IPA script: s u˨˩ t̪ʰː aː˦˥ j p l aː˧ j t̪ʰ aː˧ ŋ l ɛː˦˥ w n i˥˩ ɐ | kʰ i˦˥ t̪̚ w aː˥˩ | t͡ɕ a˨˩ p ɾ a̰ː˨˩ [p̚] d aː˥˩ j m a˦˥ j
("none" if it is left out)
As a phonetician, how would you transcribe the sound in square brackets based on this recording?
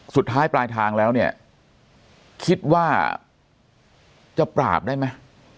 p̚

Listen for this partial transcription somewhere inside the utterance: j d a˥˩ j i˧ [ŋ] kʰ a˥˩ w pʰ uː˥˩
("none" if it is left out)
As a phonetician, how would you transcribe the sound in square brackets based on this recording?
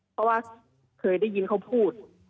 n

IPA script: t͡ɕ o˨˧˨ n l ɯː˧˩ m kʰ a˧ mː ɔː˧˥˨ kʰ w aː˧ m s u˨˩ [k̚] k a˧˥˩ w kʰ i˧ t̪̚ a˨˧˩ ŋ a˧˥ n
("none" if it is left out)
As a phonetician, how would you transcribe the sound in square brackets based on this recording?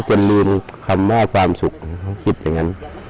k̚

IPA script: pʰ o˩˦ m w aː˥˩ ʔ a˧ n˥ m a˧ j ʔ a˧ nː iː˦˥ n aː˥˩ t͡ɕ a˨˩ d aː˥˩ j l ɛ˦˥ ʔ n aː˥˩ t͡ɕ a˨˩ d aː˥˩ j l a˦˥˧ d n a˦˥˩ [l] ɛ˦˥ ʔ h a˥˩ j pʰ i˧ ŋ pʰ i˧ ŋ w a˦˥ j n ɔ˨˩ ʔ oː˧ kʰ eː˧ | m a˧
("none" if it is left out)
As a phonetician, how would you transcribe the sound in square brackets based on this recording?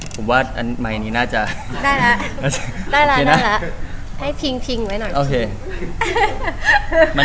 l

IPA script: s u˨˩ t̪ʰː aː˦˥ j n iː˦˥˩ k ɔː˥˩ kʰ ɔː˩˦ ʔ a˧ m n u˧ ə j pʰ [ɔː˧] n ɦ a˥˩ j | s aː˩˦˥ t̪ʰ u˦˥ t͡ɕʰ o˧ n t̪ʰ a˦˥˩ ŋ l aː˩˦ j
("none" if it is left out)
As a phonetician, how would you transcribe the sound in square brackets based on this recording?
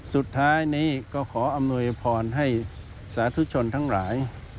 ɔː˧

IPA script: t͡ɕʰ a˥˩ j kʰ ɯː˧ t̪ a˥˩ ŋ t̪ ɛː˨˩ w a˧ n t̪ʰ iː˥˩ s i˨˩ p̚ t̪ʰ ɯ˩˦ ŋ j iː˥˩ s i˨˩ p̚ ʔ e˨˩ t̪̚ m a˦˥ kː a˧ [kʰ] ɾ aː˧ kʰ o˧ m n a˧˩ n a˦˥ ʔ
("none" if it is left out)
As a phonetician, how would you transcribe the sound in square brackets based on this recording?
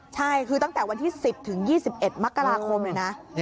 none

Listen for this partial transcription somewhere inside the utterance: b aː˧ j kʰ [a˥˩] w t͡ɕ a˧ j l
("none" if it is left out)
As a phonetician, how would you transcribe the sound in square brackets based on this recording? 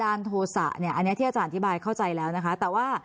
a˥˩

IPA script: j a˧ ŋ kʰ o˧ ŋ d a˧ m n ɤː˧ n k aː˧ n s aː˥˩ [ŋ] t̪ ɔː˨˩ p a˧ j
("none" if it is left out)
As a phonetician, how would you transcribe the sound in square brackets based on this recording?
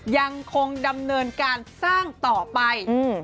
ŋ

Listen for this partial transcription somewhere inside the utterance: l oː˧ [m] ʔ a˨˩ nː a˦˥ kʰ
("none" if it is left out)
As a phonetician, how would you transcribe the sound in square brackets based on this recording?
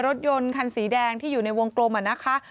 m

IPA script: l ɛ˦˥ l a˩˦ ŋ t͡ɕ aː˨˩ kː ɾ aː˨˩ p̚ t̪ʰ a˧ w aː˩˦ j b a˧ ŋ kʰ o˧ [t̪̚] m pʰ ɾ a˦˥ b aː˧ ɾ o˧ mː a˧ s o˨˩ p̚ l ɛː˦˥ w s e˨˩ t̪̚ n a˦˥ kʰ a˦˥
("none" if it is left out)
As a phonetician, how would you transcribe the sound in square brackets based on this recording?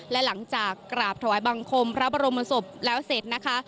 none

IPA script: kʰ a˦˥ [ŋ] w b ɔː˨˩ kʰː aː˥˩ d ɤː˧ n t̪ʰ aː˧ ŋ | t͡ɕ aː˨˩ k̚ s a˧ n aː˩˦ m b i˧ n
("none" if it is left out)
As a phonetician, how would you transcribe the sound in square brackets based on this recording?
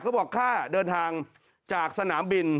none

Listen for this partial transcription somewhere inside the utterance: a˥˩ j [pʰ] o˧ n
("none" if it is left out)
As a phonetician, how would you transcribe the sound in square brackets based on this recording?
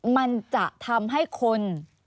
kʰ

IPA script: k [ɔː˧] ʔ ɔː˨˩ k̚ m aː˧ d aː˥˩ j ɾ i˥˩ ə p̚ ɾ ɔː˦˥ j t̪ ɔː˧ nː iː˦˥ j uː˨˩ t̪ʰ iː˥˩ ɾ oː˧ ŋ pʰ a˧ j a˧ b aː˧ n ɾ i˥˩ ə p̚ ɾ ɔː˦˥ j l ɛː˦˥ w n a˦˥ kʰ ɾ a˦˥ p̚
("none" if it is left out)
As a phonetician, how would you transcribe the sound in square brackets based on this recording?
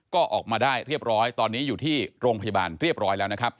ɔː˥˩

